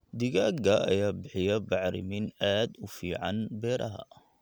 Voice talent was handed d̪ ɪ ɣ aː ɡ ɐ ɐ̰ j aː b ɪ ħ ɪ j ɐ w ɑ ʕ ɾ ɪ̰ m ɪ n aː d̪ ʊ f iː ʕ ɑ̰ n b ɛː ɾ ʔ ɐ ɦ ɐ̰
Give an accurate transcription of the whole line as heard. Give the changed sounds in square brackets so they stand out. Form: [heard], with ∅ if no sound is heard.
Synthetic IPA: d̪ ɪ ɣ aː ɡ ɐ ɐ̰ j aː b ɪ ħ ɪ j ɐ [b] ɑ ʕ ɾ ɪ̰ m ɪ n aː d̪ ʊ f iː ʕ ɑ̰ n b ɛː ɾ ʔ ɐ ɦ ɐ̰